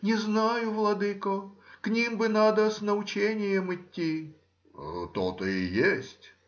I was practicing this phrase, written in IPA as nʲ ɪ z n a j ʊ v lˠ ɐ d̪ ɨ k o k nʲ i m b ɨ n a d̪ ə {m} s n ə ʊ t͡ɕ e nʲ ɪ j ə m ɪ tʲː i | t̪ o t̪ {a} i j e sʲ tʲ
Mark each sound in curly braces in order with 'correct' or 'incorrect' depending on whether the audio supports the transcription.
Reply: incorrect: none, incorrect: ə

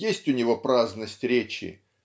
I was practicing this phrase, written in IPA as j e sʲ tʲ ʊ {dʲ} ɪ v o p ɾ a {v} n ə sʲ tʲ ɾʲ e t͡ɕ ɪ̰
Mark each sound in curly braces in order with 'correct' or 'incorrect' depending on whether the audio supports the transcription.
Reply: incorrect: nʲ, incorrect: z

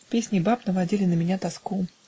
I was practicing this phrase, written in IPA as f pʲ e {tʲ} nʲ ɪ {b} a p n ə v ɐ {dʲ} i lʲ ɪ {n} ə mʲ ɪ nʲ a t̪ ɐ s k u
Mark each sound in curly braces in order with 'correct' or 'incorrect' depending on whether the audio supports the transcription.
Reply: incorrect: sʲ, correct, correct, correct

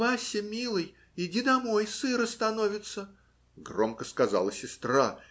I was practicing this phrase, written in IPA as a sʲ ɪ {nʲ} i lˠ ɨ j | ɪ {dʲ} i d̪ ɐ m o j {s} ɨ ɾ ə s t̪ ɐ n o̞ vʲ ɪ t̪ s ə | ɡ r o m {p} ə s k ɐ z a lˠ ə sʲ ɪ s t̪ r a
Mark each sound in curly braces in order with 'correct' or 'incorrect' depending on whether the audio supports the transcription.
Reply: incorrect: mʲ, correct, correct, incorrect: k

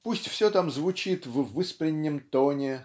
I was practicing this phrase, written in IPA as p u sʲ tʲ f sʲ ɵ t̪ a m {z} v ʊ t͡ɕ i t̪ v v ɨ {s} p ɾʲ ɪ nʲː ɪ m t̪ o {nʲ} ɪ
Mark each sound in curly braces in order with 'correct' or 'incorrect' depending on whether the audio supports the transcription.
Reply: correct, correct, correct

